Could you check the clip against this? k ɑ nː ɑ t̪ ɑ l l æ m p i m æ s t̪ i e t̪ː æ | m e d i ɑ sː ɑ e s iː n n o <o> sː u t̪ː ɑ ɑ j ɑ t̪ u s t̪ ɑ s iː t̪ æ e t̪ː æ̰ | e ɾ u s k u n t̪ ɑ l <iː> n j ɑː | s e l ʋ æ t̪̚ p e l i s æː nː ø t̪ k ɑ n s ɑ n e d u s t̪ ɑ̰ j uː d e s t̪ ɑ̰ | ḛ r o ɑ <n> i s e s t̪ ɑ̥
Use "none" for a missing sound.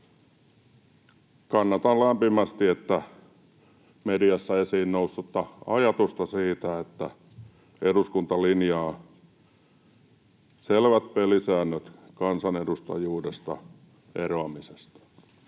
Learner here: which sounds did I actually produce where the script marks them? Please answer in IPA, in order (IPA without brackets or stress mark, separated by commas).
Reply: u, i, m